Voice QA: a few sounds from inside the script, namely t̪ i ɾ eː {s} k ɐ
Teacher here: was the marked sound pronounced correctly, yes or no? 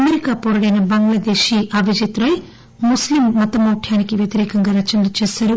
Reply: no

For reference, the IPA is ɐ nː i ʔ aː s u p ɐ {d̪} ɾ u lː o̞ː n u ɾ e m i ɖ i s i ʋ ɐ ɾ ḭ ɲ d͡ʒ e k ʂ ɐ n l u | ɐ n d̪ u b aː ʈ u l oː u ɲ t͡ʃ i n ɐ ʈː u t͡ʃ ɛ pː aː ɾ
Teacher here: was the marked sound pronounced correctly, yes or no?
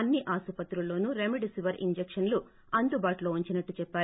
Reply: no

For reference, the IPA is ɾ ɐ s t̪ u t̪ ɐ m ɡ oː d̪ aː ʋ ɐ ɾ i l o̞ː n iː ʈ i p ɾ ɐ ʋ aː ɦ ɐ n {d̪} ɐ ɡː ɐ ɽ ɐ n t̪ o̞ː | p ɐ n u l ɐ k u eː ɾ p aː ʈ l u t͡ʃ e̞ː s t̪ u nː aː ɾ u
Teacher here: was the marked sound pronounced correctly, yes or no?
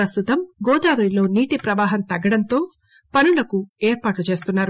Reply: no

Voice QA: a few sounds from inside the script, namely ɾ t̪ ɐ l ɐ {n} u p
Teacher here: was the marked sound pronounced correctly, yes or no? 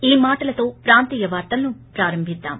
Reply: yes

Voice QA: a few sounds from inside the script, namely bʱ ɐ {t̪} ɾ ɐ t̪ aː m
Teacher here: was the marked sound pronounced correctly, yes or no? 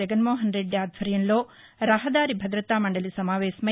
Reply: no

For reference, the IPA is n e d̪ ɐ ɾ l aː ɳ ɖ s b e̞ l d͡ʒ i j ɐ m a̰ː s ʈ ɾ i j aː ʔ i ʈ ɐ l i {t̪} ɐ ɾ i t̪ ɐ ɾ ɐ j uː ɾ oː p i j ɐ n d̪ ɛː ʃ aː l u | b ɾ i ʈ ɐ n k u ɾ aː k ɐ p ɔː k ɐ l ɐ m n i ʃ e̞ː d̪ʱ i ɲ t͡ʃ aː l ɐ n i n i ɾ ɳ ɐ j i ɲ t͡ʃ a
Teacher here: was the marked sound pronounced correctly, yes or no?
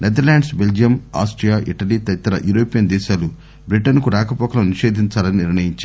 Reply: yes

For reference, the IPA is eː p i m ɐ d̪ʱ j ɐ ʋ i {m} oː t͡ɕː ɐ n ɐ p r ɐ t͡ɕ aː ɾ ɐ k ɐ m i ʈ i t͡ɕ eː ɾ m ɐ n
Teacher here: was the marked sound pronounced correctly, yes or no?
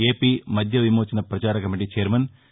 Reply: yes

